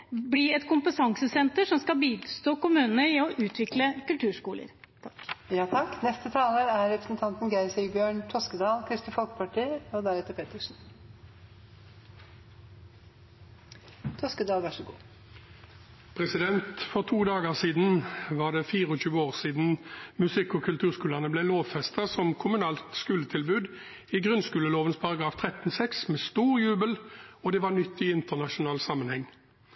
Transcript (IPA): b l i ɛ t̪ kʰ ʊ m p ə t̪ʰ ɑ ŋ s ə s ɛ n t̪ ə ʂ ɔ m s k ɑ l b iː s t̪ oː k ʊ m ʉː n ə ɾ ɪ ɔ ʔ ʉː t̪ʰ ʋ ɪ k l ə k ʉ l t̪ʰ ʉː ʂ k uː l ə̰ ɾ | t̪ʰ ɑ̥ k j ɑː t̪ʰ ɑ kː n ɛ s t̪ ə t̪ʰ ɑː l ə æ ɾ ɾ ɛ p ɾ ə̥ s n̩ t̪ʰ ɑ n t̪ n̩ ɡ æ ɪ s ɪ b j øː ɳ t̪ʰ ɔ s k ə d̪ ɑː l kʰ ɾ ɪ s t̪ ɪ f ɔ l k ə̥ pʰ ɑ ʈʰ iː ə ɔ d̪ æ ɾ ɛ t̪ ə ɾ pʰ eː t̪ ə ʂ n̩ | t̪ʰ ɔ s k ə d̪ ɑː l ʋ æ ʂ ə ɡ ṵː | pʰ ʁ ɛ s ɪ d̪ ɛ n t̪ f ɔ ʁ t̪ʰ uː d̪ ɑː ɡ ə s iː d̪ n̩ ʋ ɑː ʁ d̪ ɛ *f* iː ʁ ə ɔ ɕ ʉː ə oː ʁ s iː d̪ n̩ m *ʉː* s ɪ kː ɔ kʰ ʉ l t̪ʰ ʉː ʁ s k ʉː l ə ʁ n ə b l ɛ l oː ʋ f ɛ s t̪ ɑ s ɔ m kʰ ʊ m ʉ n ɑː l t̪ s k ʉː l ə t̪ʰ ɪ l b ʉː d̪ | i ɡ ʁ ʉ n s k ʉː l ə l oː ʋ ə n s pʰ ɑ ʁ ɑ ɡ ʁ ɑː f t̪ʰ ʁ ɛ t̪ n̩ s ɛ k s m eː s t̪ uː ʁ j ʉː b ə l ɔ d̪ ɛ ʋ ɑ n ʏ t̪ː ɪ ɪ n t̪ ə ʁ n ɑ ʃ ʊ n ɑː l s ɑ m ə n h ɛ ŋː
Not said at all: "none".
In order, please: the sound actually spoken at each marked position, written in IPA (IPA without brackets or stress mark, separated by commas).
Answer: f, ʉ